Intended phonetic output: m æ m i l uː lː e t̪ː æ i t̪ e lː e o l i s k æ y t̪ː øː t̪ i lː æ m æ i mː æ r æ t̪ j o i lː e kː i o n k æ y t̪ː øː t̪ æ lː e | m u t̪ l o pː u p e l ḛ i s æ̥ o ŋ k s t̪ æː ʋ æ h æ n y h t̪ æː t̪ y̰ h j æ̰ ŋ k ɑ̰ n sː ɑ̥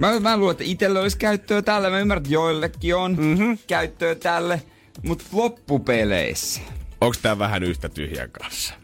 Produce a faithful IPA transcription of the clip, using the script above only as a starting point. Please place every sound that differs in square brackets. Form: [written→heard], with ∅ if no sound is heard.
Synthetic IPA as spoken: m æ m [i→æ] l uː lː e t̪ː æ i t̪ e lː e o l i s k æ y t̪ː øː t̪ [i→æ] lː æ m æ [i→y] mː æ r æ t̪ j o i lː e kː i o n k æ y t̪ː øː t̪ æ lː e | m u t̪ l o pː u p e l ḛ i s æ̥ o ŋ k s t̪ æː ʋ æ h æ n y h t̪ [æː→æ] t̪ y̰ h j æ̰ ŋ k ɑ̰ n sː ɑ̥